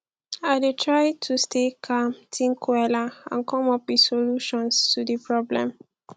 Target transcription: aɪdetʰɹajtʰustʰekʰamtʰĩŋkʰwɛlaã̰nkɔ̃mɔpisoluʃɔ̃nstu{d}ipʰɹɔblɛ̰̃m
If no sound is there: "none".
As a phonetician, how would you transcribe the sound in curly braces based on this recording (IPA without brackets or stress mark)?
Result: d